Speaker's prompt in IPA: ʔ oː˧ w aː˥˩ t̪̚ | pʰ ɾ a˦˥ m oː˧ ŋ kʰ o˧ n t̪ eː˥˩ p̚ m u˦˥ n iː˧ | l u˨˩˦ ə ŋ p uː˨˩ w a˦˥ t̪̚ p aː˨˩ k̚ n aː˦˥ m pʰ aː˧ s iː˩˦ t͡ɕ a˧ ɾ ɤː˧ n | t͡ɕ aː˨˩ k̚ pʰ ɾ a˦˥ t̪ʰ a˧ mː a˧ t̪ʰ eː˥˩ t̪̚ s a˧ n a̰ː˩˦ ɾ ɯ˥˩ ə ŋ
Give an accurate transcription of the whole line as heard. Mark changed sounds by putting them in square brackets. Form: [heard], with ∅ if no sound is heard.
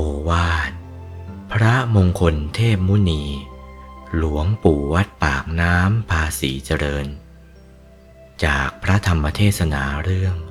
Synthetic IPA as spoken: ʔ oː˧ w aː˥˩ t̪̚ | pʰ ɾ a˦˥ m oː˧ ŋ kʰ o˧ n [t̪ʰ] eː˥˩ p̚ m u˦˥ n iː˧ | l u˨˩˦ ə ŋ p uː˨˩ w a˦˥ t̪̚ p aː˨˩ k̚ n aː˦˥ m pʰ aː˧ s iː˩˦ t͡ɕ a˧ ɾ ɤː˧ n | t͡ɕ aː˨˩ k̚ pʰ ɾ a˦˥ t̪ʰ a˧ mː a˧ t̪ʰ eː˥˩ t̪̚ s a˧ n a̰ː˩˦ ɾ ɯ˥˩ ə ŋ